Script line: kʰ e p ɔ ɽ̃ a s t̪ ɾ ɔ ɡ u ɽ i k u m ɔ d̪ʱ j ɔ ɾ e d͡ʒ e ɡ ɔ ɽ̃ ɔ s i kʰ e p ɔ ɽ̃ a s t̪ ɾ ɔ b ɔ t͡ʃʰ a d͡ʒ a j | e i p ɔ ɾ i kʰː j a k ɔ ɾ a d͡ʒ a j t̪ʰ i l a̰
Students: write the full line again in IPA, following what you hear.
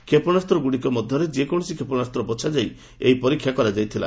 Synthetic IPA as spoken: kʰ e p ɔ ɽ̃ a s t̪ ɾ ɔ ɡ u ɽ i k ɔ m ɔ d̪ʱ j ɔ ɾ e d͡ʒ e k ɔ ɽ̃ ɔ s i kʰ e p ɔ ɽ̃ a s t̪ ɾ ɔ b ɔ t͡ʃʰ a d͡ʒ a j | e i p ɔ ɾ i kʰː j a k ɔ ɾ a d͡ʒ a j t̪ʰ i l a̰